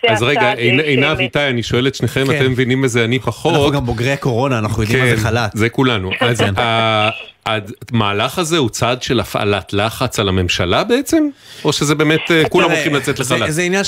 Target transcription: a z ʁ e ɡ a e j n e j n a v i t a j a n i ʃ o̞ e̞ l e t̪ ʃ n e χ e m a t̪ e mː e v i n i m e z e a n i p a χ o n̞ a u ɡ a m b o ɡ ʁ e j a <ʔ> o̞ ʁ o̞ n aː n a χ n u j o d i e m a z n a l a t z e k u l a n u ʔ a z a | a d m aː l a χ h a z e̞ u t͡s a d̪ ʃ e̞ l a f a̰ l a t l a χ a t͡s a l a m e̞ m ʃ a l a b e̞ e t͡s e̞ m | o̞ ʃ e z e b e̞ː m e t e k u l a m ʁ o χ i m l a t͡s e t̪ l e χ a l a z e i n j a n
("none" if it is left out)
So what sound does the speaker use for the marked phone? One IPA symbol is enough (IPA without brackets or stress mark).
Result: k